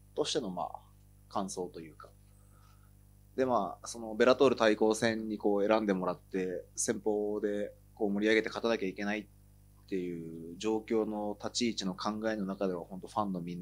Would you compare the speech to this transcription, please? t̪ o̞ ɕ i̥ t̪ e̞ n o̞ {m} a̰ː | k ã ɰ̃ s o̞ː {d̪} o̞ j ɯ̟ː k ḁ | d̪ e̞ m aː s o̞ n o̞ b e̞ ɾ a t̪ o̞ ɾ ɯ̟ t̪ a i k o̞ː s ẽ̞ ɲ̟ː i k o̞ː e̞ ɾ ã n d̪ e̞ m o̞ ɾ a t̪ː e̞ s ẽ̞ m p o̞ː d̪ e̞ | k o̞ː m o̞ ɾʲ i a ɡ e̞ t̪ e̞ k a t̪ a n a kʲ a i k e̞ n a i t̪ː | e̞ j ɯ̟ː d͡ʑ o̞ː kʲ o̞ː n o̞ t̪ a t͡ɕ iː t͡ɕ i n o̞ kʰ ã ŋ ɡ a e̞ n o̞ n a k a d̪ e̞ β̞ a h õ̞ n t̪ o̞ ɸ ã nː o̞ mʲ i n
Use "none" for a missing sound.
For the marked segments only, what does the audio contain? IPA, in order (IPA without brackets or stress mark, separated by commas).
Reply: m, t̪